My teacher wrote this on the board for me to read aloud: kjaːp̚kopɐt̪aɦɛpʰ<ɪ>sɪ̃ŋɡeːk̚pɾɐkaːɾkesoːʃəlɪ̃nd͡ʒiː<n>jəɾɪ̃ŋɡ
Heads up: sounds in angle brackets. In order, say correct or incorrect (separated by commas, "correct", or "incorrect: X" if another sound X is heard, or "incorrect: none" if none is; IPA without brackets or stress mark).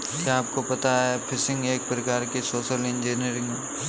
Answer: correct, correct